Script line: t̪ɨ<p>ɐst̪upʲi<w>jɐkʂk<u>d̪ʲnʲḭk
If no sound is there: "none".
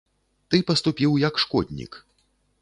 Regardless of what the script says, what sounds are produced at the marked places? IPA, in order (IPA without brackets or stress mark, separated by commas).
p, w, ɔ